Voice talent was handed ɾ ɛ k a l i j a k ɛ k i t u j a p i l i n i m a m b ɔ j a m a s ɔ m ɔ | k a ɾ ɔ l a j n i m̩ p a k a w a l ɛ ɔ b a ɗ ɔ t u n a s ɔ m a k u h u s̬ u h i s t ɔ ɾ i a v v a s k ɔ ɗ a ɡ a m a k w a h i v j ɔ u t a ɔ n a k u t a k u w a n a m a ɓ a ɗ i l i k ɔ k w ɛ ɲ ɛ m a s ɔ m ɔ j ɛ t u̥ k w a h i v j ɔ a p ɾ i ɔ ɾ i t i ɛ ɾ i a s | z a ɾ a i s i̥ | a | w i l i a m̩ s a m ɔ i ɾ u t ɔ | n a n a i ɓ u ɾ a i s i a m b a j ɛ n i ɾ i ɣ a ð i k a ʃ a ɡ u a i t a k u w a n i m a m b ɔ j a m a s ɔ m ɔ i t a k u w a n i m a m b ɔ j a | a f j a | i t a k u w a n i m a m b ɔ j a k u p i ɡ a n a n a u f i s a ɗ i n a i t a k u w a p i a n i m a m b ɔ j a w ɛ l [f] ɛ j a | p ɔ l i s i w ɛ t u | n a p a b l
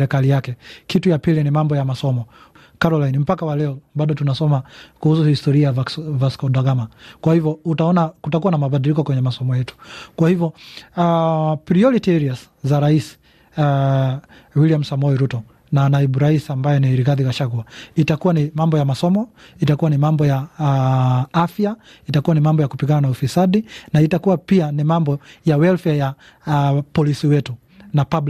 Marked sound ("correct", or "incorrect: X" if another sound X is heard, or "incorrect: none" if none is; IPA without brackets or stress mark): correct